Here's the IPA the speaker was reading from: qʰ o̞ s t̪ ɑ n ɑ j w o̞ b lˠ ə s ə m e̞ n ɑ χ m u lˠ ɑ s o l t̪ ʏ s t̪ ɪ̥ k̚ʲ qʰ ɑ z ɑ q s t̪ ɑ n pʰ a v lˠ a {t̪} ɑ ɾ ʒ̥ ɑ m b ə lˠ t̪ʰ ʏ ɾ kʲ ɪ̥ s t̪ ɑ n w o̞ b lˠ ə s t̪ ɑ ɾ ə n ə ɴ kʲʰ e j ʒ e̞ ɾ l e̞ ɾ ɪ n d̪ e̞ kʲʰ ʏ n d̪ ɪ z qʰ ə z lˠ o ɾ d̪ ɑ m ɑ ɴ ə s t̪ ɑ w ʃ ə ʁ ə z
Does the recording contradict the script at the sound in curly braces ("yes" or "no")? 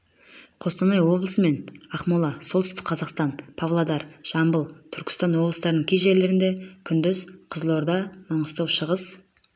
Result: yes